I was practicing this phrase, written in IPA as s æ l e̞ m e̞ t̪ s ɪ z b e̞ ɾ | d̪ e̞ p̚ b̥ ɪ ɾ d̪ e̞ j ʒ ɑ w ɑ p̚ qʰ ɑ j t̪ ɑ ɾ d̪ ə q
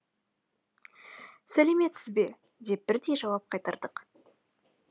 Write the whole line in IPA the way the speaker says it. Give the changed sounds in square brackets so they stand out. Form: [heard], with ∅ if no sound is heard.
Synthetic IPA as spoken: s æ l e̞ m e̞ t̪ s ɪ z b e̞ [∅] | d̪ e̞ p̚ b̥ ɪ ɾ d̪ e̞ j ʒ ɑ w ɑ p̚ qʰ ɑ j t̪ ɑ ɾ d̪ ə q